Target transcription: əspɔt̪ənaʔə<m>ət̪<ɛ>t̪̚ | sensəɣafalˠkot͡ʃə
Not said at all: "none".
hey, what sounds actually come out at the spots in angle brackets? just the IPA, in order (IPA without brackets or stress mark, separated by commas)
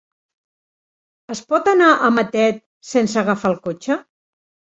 m, ɛ